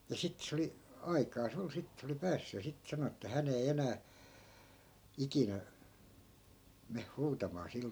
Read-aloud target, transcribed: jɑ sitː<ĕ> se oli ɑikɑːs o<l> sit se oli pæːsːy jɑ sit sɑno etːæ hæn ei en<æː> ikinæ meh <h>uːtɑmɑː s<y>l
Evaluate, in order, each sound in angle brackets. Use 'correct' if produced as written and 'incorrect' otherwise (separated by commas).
correct, correct, correct, correct, incorrect